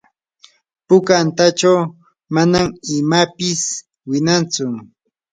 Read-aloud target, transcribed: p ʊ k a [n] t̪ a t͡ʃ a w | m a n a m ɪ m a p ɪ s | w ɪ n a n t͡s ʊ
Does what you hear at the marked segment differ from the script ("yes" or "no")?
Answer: no